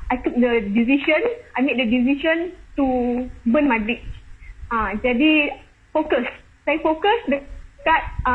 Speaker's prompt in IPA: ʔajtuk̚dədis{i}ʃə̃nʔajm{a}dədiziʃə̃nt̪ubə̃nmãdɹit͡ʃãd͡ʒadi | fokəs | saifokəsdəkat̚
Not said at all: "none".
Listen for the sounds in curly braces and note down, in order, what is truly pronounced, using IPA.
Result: i, e

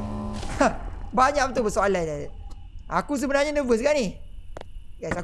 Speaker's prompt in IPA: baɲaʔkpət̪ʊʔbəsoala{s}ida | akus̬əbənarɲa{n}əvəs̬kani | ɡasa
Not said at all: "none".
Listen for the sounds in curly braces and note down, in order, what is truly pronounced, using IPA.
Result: none, n

